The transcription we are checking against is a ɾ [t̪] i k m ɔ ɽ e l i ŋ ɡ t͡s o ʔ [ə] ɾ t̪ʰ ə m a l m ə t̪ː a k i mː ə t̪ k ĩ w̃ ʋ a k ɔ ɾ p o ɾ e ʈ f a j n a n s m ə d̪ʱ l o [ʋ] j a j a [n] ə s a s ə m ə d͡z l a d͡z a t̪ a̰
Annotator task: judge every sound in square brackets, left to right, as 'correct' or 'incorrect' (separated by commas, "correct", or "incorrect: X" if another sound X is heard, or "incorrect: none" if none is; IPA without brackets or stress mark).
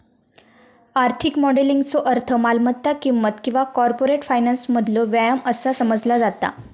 incorrect: t̪ʰ, correct, correct, incorrect: m